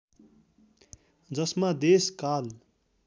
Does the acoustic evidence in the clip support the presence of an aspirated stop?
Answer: no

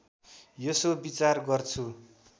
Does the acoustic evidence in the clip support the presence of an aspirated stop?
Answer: yes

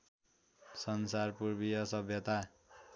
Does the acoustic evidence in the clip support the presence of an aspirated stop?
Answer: no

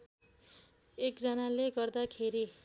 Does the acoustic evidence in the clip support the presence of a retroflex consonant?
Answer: no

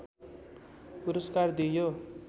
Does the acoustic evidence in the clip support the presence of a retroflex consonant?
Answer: no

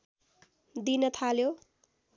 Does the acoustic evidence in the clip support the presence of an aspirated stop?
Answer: yes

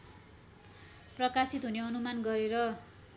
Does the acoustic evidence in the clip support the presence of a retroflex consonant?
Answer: no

